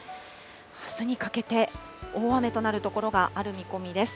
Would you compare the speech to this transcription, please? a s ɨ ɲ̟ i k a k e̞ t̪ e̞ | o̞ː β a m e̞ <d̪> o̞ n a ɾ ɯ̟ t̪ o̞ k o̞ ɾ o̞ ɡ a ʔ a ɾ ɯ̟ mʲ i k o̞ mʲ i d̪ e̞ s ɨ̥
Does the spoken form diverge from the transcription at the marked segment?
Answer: yes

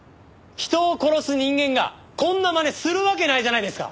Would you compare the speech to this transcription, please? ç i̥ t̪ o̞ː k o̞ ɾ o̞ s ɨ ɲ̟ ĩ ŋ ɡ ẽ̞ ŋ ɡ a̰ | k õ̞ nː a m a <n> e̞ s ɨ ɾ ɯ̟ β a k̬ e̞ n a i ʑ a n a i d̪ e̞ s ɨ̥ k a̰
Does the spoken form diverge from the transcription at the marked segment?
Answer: no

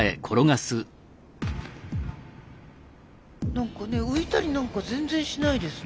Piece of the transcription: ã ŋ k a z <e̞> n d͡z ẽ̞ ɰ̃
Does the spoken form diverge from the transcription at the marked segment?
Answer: yes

